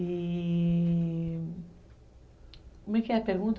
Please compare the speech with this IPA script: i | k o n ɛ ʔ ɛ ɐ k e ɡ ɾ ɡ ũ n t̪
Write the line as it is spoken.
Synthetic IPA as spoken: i | k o m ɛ k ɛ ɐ p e ɾ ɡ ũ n t̪